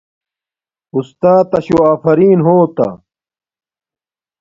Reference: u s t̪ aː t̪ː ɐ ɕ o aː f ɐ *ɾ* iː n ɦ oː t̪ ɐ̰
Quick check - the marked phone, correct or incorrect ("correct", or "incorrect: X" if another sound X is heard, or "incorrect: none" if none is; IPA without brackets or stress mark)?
correct